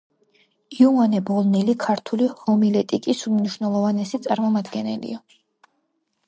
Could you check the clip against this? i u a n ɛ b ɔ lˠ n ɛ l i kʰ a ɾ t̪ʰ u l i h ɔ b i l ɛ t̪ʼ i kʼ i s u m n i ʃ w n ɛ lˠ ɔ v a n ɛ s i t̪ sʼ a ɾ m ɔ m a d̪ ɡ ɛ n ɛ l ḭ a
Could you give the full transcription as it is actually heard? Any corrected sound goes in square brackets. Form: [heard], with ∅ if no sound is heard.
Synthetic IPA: i u a n ɛ b ɔ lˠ n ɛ l i kʰ a ɾ t̪ʰ u l i h ɔ [m] i l ɛ t̪ʼ i kʼ i s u m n i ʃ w n ɛ lˠ ɔ v a n ɛ s i t̪ sʼ a ɾ m ɔ m a d̪ ɡ ɛ n ɛ l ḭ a